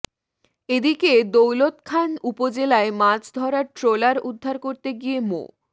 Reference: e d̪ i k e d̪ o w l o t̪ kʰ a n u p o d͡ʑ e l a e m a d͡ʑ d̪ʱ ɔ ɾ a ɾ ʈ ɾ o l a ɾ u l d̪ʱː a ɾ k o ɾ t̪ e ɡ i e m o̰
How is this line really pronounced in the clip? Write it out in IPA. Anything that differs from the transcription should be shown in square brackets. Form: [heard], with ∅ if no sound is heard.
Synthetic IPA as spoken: e d̪ i k e d̪ o w l o t̪ kʰ a n u p o d͡ʑ e l a e m a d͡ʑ d̪ʱ ɔ ɾ a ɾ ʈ ɾ o l a ɾ u [∅] d̪ʱː a ɾ k o ɾ t̪ e ɡ i e m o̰

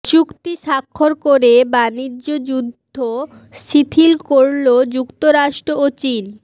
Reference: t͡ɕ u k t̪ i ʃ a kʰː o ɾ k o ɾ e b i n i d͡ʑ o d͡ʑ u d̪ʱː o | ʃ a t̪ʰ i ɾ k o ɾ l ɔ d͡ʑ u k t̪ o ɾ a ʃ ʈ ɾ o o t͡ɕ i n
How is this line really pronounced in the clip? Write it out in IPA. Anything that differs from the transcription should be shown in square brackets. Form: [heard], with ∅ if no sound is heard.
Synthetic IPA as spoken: t͡ɕ u k t̪ i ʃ a kʰː o ɾ k o ɾ e b [a] n i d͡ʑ o d͡ʑ u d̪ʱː o | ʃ [i] t̪ʰ i [l] k o ɾ l [o] d͡ʑ u k t̪ o ɾ a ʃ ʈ ɾ o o t͡ɕ i n

